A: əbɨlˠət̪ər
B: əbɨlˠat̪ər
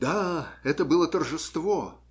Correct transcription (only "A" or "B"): A